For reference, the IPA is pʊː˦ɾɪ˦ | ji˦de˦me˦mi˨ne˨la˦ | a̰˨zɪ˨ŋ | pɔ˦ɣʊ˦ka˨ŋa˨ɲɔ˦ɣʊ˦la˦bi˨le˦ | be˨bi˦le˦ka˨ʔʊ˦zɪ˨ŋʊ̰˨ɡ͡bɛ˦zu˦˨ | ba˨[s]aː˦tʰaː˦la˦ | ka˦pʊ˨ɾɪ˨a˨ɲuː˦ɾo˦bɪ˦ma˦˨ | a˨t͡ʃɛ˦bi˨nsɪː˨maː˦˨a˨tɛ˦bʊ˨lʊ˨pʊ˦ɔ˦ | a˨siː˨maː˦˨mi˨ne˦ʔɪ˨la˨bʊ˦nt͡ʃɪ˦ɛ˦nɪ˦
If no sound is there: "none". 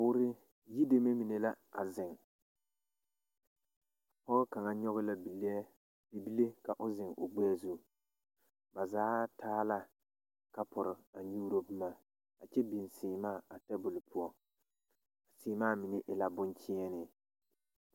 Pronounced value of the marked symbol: z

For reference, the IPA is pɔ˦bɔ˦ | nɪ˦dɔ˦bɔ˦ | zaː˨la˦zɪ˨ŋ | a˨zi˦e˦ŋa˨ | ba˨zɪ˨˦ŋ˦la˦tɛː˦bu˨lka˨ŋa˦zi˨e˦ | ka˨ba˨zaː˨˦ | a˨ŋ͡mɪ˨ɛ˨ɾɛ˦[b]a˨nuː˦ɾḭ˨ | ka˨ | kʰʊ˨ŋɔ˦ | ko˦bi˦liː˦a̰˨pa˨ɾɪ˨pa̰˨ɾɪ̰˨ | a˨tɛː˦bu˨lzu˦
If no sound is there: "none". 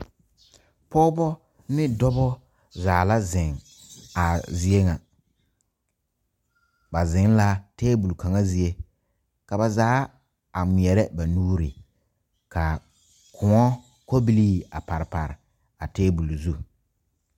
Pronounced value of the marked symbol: b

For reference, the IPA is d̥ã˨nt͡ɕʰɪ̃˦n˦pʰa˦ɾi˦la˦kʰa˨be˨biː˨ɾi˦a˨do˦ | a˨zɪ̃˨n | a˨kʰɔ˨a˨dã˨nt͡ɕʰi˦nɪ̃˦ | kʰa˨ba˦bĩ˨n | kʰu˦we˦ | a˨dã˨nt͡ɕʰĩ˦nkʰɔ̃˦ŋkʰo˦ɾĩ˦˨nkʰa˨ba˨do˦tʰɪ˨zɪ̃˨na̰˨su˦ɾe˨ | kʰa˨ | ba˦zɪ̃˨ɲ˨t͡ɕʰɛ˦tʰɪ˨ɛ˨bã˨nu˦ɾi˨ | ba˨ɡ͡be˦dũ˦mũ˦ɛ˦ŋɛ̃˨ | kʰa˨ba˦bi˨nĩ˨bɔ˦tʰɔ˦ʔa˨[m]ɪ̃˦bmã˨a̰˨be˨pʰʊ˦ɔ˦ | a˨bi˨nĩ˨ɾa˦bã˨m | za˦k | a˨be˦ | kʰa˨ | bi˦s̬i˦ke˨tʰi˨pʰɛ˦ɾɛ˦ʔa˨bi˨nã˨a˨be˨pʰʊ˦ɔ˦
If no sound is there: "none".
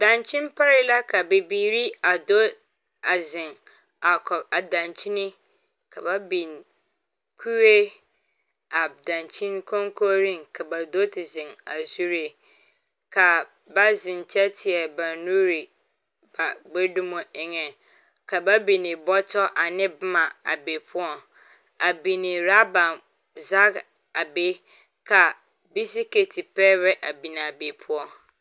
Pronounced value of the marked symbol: n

